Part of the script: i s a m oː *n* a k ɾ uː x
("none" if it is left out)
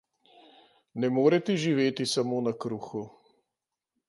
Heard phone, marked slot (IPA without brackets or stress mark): n